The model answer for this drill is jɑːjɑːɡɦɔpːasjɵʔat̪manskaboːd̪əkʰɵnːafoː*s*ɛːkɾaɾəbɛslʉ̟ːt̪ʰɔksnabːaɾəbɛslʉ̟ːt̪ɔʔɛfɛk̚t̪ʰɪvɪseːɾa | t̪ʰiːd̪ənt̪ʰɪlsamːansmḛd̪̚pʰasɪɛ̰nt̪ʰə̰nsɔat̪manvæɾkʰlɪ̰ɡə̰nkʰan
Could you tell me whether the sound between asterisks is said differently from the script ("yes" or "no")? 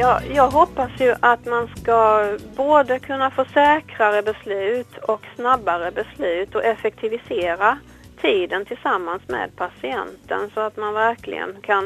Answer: no